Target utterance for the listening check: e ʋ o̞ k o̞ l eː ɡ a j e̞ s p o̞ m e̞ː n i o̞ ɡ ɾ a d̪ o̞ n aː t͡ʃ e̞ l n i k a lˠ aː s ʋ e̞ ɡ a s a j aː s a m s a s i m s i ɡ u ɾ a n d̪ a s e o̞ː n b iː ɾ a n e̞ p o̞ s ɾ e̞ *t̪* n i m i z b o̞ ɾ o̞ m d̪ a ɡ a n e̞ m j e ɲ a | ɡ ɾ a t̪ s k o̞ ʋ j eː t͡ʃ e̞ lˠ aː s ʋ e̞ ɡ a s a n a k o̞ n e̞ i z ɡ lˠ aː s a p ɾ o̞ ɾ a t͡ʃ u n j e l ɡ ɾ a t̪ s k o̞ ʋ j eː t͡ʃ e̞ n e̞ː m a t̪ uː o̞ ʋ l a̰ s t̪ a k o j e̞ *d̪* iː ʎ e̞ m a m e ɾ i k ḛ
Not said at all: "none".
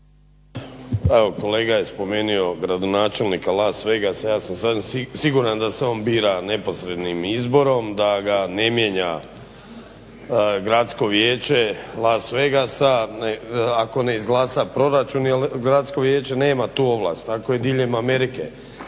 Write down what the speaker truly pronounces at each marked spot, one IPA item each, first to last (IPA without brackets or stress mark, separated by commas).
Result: d̪, d̪